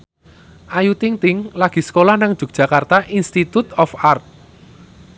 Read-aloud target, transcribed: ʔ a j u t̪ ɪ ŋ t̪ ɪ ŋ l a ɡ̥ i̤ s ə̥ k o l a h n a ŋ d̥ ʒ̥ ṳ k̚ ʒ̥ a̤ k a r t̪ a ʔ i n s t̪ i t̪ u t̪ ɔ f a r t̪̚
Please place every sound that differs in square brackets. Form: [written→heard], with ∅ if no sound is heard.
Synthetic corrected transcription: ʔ a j u t̪ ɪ ŋ t̪ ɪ ŋ l a ɡ̥ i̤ s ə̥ k o l a h n a ŋ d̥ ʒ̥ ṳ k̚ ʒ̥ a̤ k a r t̪ a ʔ i n s t̪ i t̪ u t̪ ɔ f a r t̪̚